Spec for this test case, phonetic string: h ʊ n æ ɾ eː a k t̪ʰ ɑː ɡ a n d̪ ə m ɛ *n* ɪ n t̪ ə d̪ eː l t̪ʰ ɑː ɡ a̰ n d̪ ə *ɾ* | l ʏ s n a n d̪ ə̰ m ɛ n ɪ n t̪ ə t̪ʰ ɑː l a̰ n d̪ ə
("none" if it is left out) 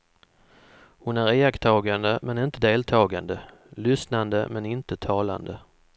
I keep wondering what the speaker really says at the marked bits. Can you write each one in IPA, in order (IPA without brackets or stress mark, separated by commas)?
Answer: n, none